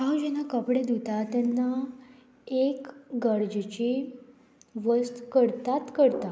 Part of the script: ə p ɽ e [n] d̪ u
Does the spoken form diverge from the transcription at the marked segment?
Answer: yes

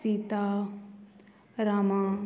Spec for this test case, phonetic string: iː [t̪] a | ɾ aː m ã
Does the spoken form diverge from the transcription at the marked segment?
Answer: no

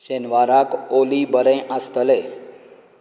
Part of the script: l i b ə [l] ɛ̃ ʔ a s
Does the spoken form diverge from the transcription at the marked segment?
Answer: yes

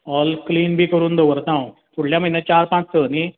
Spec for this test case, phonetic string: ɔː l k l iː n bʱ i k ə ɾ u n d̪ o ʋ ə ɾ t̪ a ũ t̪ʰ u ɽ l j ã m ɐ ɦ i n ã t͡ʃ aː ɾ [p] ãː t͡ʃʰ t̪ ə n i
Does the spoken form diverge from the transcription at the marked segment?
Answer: no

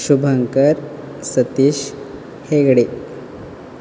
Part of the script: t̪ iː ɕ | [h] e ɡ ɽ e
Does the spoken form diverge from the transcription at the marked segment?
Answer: no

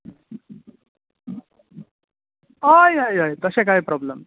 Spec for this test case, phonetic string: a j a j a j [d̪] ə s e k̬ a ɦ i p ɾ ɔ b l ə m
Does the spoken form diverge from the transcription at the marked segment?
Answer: yes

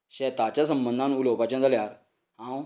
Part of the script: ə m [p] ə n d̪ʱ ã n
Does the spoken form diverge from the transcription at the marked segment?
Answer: yes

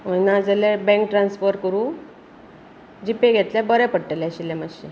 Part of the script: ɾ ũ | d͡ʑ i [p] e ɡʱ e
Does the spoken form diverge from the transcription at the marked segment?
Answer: no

